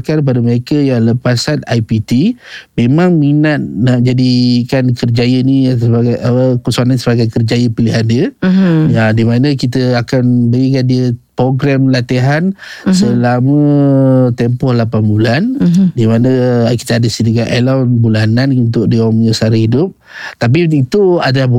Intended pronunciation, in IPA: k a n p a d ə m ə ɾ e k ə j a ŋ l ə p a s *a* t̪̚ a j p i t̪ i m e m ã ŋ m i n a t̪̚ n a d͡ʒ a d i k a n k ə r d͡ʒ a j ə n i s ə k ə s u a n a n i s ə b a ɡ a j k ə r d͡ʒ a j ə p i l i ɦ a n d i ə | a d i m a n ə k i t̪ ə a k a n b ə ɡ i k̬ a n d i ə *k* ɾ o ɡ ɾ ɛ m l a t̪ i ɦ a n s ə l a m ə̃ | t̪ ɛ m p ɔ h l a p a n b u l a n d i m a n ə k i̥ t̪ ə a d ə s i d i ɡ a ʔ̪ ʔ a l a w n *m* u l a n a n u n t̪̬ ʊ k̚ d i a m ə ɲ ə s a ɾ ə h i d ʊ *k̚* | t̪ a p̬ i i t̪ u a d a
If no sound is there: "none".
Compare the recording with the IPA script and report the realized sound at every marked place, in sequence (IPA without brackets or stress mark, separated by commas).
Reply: a, p, b, p̚